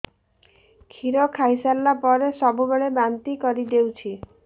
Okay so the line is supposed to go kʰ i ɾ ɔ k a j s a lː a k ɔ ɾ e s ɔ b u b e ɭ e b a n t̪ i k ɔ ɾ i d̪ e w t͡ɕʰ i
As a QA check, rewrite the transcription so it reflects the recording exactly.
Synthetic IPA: kʰ i ɾ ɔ kʰ a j s a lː a p ɔ ɾ e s ɔ b u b e ɭ e b a n t̪ i k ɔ ɾ i d̪ e w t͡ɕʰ i